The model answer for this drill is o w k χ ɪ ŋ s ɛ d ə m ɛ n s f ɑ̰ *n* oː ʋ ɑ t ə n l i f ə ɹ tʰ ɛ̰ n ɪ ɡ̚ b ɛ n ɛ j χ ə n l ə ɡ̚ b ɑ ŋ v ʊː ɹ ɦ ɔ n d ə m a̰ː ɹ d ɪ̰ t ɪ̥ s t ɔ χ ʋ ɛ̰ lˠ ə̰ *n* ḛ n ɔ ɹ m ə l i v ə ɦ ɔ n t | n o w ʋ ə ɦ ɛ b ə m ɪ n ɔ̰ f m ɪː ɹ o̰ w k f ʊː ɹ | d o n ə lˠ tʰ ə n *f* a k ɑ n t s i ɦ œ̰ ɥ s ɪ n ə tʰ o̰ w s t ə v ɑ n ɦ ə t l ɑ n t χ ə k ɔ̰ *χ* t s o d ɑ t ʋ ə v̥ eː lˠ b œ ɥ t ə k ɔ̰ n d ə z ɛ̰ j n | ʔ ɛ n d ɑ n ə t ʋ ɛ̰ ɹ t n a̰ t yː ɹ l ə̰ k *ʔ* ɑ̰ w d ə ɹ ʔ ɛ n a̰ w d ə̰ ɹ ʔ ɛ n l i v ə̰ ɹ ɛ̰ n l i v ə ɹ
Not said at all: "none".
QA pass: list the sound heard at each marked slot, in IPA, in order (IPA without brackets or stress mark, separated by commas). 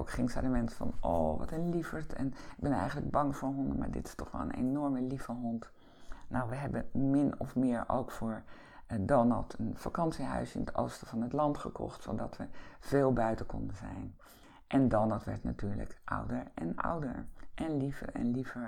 n, n, f, χ, ʔ